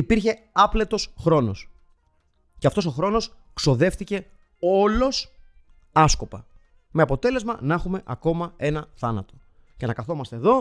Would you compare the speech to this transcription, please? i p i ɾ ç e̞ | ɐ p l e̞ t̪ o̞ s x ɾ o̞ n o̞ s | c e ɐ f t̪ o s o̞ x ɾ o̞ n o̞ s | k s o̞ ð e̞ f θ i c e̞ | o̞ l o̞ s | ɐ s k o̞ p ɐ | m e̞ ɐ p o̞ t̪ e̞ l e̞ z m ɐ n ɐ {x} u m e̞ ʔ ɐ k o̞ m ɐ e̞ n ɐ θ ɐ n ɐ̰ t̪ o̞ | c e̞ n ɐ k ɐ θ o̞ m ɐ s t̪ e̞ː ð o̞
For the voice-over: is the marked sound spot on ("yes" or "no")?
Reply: yes